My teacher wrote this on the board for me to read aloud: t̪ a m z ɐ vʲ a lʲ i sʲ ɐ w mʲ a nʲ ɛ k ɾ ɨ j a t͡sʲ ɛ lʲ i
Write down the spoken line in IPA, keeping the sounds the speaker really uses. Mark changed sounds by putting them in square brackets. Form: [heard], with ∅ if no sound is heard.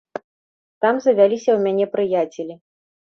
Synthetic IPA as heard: t̪ a m z ɐ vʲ a lʲ i sʲ ɐ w mʲ a nʲ ɛ [p] ɾ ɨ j a t͡sʲ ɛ lʲ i

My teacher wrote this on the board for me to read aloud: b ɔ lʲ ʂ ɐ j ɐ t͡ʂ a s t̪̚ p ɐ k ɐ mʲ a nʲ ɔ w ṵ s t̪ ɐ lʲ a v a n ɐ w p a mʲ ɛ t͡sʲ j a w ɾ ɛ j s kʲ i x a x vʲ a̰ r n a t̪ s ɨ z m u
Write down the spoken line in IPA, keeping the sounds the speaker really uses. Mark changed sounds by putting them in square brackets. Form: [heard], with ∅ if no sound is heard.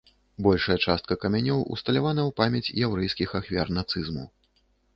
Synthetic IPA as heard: b ɔ lʲ ʂ ɐ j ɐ t͡ʂ a s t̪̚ [k] ɐ k ɐ mʲ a nʲ ɔ w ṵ s t̪ ɐ lʲ a v a n ɐ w p a mʲ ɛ t͡sʲ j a w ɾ ɛ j s kʲ i x a x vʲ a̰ r n a t̪ s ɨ z m u

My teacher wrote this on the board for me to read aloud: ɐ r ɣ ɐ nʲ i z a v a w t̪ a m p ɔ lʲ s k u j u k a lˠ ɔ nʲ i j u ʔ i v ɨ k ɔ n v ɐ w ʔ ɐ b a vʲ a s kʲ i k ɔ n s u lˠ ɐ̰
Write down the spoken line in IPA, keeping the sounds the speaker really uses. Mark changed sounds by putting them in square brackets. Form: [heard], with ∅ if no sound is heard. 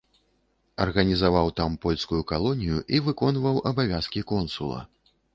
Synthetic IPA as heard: ɐ r ɣ ɐ nʲ i z a v a w t̪ a m p ɔ lʲ s k u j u k a lˠ ɔ nʲ i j u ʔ i v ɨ k ɔ n v ɐ w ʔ ɐ b a vʲ a s kʲ i k ɔ n s u lˠ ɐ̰

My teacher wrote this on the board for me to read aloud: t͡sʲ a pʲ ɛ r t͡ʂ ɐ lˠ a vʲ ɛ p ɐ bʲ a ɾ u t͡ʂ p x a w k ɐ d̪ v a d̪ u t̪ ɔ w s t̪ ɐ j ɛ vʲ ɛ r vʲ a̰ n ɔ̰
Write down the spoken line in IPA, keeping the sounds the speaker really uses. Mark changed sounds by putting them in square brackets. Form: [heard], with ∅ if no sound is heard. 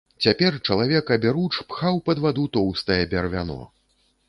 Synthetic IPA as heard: t͡sʲ a pʲ ɛ r t͡ʂ ɐ lˠ a vʲ ɛ [k] ɐ bʲ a ɾ u t͡ʂ p x a w [p] ɐ d̪ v a d̪ u t̪ ɔ w s t̪ ɐ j ɛ [bʲ] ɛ r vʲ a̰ n ɔ̰

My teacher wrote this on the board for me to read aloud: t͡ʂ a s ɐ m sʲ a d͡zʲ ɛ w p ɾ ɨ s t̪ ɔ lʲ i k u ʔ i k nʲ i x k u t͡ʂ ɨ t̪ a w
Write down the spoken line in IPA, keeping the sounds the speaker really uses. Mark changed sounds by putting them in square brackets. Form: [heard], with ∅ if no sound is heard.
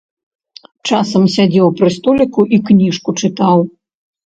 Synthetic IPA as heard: t͡ʂ a s ɐ m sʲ a d͡zʲ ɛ w p ɾ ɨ s t̪ ɔ lʲ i k u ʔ i k nʲ i [ʂ] k u t͡ʂ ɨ t̪ a w

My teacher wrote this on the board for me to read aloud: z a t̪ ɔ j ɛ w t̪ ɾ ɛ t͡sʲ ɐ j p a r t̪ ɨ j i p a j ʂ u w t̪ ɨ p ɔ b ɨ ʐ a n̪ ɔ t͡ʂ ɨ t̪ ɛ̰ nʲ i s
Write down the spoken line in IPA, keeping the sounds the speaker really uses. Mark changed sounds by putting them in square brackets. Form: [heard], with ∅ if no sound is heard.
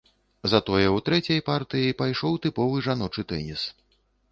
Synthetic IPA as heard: z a t̪ ɔ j ɛ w t̪ ɾ ɛ t͡sʲ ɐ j p a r t̪ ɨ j i p a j ʂ [ɔ] w t̪ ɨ p ɔ [v] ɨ ʐ a n̪ ɔ t͡ʂ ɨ t̪ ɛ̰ nʲ i s

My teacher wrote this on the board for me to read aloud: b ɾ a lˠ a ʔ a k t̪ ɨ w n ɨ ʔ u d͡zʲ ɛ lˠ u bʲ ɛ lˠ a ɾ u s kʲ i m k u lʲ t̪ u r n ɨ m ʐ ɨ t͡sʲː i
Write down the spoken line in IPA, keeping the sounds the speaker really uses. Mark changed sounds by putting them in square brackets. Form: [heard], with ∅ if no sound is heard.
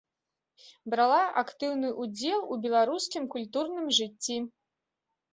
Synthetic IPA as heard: b ɾ a lˠ a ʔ a k t̪ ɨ w n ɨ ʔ u d͡zʲ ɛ lˠ u bʲ ɛ lˠ a ɾ u s kʲ i m k u lʲ t̪ u r n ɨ m ʐ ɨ t͡sʲː i

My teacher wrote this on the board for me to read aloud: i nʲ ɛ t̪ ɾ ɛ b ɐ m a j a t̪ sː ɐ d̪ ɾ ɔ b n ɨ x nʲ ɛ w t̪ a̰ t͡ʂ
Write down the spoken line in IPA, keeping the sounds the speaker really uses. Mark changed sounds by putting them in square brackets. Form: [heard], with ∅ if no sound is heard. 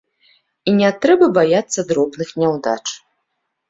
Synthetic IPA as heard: i nʲ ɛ t̪ ɾ ɛ b ɐ [b] a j a t̪ sː ɐ d̪ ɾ ɔ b n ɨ x nʲ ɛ w [d̪] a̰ t͡ʂ

